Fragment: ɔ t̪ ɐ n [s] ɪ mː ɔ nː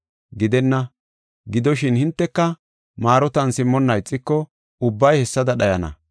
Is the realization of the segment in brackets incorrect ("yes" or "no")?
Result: no